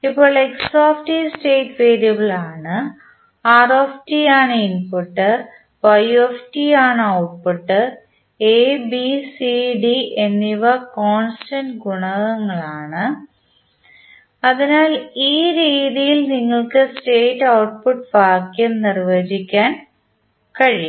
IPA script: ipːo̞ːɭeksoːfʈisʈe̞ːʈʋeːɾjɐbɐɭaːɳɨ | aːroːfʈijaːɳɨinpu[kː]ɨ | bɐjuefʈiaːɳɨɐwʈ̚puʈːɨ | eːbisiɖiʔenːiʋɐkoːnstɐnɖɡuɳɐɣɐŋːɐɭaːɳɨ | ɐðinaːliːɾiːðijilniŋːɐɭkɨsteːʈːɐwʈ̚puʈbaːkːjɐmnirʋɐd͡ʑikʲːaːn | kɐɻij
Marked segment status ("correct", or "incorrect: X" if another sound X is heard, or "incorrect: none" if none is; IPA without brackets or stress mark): incorrect: ʈː